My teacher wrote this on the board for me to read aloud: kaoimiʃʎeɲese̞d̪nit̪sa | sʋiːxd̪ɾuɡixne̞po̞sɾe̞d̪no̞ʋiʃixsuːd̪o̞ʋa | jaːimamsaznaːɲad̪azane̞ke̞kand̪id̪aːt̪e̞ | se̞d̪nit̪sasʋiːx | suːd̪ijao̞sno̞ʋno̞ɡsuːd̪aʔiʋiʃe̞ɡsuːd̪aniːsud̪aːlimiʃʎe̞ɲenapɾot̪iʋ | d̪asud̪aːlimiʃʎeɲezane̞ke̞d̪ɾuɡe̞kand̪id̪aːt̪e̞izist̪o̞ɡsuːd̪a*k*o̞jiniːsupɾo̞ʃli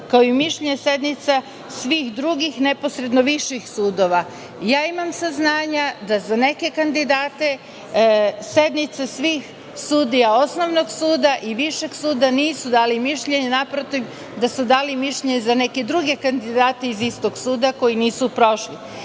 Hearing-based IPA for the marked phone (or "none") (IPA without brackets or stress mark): k